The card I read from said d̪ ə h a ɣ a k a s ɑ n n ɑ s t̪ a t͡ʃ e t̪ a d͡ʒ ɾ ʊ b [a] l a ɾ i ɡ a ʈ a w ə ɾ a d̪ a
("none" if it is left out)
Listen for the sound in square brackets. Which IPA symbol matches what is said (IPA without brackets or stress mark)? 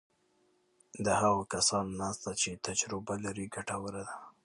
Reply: a